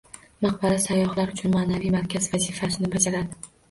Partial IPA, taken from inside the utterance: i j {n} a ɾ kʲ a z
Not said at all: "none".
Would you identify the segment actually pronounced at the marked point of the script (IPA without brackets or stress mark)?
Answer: m